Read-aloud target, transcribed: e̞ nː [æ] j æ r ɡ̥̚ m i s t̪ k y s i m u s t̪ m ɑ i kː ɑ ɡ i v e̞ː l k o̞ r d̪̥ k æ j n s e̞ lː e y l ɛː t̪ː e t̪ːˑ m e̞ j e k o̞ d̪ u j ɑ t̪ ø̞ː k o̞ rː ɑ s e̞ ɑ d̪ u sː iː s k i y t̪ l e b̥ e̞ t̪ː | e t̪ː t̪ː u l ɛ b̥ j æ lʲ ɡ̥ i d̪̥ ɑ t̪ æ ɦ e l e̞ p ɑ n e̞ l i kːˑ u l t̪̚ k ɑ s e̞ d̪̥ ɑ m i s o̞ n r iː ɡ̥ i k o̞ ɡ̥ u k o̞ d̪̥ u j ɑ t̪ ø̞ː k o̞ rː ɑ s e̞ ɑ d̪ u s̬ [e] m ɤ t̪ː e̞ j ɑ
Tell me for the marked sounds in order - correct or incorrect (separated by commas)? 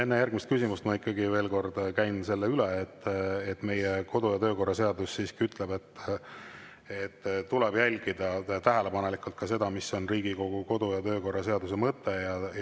incorrect, correct